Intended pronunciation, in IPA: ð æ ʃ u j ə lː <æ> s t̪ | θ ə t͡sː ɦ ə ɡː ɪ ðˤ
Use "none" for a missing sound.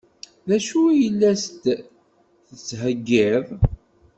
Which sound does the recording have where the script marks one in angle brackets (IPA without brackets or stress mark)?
æ